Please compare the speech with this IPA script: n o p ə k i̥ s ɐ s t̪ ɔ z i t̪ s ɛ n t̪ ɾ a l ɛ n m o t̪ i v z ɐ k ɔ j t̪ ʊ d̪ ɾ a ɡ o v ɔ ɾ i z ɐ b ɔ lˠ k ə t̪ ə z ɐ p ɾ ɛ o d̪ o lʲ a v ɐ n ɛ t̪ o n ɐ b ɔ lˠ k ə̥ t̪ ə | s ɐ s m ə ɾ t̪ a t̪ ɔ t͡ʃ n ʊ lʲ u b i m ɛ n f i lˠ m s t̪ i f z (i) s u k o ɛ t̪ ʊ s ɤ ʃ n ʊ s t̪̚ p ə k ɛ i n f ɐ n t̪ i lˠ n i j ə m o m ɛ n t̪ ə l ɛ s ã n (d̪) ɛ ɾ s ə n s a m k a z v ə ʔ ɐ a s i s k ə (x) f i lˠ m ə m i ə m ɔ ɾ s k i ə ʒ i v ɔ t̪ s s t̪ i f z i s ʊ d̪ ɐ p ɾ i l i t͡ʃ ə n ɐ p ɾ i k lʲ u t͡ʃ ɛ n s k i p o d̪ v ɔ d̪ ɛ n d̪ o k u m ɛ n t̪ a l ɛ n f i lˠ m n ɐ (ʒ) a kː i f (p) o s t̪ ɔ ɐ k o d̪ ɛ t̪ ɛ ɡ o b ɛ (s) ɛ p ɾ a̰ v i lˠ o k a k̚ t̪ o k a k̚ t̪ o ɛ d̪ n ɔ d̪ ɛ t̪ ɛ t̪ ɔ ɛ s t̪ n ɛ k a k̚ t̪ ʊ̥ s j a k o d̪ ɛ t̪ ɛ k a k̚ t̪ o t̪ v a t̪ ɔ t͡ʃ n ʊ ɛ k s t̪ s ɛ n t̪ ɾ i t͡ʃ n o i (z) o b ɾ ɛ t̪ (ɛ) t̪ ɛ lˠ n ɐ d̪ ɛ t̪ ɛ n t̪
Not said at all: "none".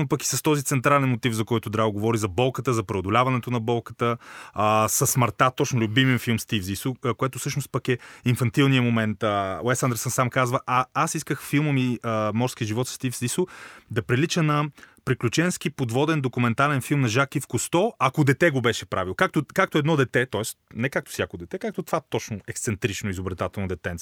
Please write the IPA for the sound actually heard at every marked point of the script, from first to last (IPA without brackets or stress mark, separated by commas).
i, d̪, x, ʒ, k, ʃ, z, a